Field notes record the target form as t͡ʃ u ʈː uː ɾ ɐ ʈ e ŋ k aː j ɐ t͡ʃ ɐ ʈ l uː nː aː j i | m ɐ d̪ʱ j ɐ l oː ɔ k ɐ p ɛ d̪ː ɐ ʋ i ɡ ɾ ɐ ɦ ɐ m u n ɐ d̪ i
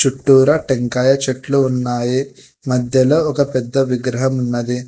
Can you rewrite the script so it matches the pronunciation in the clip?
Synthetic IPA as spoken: t͡ʃ u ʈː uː ɾ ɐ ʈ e ŋ k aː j ɐ t͡ʃ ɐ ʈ l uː nː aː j i | m ɐ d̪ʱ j ɐ l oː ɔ k ɐ p ɛ d̪ː ɐ ʋ i ɡ ɾ ɐ ɦ ɐ m u nː ɐ d̪ i